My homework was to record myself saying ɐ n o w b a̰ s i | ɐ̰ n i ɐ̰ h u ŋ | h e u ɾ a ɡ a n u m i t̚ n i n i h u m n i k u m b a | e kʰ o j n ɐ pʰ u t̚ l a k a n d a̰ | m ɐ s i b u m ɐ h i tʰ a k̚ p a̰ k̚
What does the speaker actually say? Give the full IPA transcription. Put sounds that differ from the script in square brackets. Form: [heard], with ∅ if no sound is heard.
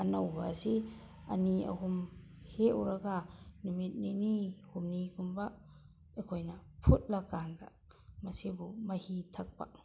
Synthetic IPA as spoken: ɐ n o w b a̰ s i | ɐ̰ n i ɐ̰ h u [m] | h e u ɾ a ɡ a n u m i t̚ n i n i h u m n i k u m b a | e kʰ o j n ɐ pʰ u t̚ l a k a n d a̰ | m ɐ s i b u m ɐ h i tʰ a k̚ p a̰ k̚

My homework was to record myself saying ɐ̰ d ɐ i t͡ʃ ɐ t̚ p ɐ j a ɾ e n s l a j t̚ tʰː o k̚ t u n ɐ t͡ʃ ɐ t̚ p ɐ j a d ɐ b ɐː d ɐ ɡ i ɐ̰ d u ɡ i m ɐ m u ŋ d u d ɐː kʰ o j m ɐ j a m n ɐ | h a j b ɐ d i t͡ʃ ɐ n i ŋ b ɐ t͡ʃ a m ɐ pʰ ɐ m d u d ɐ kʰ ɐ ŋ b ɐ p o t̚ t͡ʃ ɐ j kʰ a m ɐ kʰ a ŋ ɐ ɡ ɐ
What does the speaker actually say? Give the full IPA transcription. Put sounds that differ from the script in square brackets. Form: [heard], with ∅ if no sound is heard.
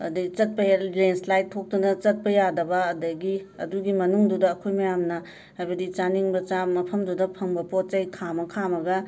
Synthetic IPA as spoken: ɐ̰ d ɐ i t͡ʃ ɐ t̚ p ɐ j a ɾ e n s l a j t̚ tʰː o k̚ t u n ɐ t͡ʃ ɐ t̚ p ɐ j a d ɐ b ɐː d ɐ ɡ i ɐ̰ d u ɡ i m ɐ [n] u ŋ d u d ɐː kʰ o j m ɐ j a m n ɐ | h a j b ɐ d i t͡ʃ [a] n i ŋ b ɐ t͡ʃ a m ɐ pʰ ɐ m d u d ɐ [pʰ] ɐ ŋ b ɐ p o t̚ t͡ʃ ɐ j kʰ a m ɐ kʰ a [m] ɐ ɡ ɐ

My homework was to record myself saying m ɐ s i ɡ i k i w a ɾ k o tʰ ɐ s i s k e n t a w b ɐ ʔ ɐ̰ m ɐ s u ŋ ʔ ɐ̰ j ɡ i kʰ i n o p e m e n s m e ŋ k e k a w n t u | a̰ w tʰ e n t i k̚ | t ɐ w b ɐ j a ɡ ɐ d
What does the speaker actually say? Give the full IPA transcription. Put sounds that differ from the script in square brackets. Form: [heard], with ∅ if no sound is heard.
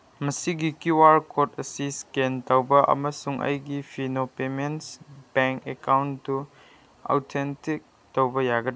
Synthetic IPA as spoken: m ɐ s i ɡ i k i w a ɾ k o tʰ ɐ s i s k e n t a w b ɐ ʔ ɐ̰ m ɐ s u ŋ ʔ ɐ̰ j ɡ i [pʰ] i n o p e m e n s [b] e ŋ k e k a w n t u | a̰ w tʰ e n t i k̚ | t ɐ w b ɐ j a ɡ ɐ d

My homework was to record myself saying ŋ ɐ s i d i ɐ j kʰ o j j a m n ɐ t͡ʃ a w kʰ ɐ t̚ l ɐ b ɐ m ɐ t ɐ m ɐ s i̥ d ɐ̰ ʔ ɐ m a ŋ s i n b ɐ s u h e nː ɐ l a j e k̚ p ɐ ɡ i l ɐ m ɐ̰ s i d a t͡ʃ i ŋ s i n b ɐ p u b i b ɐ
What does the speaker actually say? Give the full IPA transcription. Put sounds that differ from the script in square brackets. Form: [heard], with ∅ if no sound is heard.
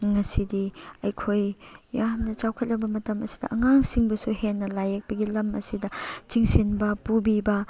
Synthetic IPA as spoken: ŋ ɐ s i d i ɐ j kʰ o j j a m n ɐ t͡ʃ a w kʰ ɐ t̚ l ɐ b ɐ m ɐ t ɐ m ɐ s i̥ d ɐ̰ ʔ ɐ [ŋ] a ŋ s i [ŋ] b ɐ s u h e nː ɐ l a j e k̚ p ɐ ɡ i l ɐ m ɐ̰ s i d [ɐ] t͡ʃ i ŋ s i n b ɐ p u b i b ɐ

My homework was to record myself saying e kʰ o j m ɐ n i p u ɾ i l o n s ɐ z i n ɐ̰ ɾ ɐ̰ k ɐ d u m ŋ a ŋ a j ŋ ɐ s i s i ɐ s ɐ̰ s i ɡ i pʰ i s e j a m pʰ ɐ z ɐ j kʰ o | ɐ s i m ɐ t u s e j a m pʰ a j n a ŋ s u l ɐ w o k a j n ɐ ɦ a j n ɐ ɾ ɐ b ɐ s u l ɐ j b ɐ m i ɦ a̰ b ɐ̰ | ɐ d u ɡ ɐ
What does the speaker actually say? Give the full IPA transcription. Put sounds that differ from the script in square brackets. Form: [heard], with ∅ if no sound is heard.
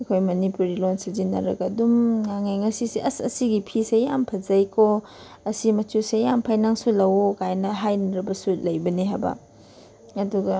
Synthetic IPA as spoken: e kʰ o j m ɐ n i p u ɾ i l o n s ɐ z i n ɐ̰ ɾ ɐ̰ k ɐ d u m ŋ a ŋ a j ŋ ɐ s i s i ɐ s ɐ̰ s i ɡ i pʰ i s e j a m pʰ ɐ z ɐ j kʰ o | ɐ s i m ɐ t u s e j a m pʰ a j n a ŋ s u l ɐ w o k a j n ɐ ɦ a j n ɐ ɾ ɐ b ɐ s u l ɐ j b ɐ [n] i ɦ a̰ b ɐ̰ | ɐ d u ɡ ɐ

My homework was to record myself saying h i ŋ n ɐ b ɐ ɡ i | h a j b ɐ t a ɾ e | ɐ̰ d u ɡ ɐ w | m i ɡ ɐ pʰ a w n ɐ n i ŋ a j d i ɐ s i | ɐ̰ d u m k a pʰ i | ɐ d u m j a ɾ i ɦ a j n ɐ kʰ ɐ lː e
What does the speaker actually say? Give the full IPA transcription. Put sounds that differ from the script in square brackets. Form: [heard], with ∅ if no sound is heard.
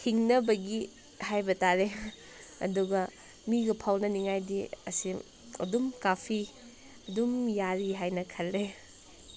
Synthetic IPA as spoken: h i ŋ n ɐ b ɐ ɡ i | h a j b ɐ t a ɾ e | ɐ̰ d u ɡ ɐ [∅] | m i ɡ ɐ pʰ a w n ɐ n i ŋ a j d i ɐ s i | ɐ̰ d u m k a pʰ i | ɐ d u m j a ɾ i ɦ a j n ɐ kʰ ɐ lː e

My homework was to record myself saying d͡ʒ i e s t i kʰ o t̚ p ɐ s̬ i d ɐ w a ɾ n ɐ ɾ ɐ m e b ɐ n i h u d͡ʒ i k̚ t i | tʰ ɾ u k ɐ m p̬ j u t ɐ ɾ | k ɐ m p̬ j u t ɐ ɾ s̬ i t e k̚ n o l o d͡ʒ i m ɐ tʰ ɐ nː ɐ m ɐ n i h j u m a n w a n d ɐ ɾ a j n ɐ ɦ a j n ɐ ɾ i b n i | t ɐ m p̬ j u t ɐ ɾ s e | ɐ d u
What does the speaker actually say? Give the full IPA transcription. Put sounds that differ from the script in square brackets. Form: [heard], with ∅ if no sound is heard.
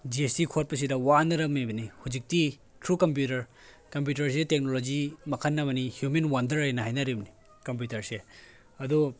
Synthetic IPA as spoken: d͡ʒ i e s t i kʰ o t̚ p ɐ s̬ i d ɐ w a [∅] n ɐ ɾ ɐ m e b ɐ n i h u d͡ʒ i k̚ t i | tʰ ɾ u k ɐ m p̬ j u t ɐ ɾ | k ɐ m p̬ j u t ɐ ɾ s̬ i t e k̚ n o l o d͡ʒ i m ɐ [kʰ] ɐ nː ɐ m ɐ n i h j u m [e] n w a n d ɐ ɾ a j n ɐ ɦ a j n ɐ ɾ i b n i | [k] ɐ m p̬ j u t ɐ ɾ s e | ɐ d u

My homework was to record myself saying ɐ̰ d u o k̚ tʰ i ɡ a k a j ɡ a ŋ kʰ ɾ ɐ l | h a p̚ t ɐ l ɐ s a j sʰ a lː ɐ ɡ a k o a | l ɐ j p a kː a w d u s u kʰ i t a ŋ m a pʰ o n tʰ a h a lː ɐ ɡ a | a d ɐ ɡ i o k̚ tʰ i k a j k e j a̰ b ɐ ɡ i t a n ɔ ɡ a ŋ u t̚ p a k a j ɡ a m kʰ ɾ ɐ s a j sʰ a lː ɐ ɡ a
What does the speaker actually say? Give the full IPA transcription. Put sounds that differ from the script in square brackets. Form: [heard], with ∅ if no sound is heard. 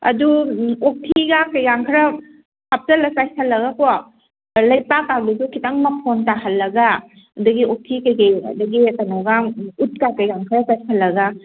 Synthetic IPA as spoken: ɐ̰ d u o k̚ tʰ i ɡ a k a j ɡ a ŋ kʰ ɾ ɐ [∅] | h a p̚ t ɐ l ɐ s a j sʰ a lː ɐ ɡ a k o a | l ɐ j p a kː a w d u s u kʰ i t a ŋ m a pʰ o n [t] a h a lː ɐ ɡ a | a d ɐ ɡ i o k̚ tʰ i k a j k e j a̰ [d] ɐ ɡ i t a n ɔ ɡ a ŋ u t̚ [k] a k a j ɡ a [ŋ] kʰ ɾ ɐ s a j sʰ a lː ɐ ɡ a

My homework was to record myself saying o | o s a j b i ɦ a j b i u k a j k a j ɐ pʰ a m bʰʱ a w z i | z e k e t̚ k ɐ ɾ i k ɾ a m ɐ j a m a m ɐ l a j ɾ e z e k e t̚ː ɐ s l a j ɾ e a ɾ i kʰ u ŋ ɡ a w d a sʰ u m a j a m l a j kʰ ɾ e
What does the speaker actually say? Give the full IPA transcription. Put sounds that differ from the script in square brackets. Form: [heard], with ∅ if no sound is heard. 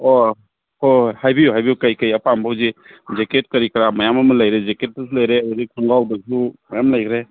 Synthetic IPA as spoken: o | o [h] a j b i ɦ a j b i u k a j k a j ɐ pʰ a m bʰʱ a w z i | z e k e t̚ k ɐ ɾ i k ɾ a m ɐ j a m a m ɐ l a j ɾ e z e k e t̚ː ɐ s l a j ɾ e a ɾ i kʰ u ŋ ɡ a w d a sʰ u m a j a m l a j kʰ ɾ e

